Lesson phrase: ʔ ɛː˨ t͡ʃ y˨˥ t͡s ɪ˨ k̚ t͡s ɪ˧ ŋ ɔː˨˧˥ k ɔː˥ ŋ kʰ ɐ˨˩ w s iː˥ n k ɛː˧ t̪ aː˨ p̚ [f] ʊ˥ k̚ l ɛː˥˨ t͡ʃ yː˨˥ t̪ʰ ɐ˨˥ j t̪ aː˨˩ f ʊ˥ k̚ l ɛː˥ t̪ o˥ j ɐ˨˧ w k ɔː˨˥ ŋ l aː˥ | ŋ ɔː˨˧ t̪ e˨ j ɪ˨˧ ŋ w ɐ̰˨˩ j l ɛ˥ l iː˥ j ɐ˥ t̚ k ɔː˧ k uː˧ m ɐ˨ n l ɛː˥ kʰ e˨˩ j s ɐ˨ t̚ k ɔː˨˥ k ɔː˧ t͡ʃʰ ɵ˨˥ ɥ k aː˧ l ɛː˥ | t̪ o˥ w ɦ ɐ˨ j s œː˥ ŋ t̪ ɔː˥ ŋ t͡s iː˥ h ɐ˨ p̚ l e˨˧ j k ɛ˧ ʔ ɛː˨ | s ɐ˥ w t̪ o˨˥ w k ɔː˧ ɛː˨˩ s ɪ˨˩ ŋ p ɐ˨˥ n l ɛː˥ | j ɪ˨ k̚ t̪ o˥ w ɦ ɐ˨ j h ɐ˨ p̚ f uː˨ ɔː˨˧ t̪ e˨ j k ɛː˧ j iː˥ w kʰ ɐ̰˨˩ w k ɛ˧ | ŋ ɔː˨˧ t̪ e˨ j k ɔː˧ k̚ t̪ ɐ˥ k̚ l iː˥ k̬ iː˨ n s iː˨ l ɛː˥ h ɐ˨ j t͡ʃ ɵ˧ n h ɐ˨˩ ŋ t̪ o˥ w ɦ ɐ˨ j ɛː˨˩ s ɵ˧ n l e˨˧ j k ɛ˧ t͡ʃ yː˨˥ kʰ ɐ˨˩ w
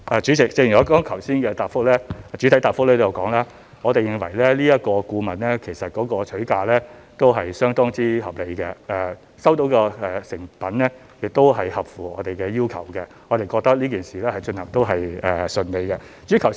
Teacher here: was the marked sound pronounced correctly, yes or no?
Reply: yes